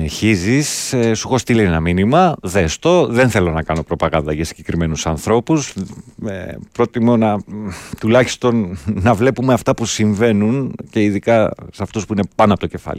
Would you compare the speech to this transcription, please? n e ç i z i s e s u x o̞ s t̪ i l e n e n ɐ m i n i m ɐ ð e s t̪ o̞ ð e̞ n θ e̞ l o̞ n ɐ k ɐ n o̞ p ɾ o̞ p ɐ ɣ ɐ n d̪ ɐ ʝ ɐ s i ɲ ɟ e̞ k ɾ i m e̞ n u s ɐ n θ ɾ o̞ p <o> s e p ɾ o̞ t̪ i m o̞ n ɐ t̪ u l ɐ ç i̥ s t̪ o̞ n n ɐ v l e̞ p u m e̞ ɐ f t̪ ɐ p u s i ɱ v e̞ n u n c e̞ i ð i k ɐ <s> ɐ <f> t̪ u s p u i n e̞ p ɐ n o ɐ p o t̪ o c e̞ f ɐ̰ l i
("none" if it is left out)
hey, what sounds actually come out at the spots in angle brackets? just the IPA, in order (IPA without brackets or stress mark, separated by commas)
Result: u, s, f